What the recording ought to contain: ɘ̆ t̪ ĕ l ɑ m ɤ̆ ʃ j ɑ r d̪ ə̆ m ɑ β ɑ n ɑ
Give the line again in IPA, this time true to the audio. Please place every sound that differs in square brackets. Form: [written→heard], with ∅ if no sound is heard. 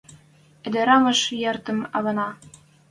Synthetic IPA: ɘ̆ [t̪→d̪] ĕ [l→ɾ] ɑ m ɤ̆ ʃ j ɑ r [d̪→t̪] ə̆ m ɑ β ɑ n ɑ